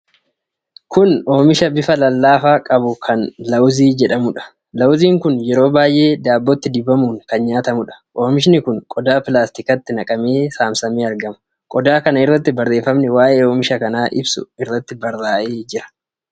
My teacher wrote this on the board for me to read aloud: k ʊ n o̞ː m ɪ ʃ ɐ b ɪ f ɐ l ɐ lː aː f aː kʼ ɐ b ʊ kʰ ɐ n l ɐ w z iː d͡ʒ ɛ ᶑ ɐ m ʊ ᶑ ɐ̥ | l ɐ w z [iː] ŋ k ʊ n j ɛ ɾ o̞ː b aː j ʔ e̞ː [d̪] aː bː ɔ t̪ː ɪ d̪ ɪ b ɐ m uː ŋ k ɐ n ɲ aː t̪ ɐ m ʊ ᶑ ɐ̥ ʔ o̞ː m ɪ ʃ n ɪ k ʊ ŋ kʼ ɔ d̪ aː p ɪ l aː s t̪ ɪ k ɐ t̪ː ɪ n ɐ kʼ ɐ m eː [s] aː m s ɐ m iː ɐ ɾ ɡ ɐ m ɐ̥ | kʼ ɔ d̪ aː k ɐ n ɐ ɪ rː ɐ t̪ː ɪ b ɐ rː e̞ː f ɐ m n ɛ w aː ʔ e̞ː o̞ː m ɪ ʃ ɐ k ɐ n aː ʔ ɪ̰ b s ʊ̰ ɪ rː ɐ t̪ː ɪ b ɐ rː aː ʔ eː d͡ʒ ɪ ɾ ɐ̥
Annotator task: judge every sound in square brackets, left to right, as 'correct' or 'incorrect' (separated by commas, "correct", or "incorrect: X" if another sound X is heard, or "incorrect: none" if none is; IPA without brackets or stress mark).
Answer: correct, correct, correct